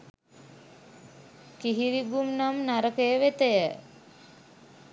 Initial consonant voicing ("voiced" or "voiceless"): voiceless